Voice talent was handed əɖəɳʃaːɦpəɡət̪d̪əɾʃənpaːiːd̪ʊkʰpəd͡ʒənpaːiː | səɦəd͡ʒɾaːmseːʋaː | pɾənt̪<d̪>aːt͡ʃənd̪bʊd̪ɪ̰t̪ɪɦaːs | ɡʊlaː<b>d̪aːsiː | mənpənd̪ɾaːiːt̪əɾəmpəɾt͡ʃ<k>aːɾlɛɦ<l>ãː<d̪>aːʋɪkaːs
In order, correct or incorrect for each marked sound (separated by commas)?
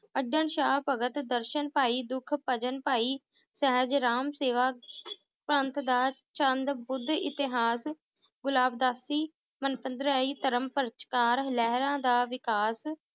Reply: correct, correct, correct, incorrect, correct